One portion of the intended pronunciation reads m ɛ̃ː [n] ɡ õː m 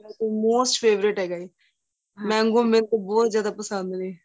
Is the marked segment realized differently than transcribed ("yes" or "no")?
yes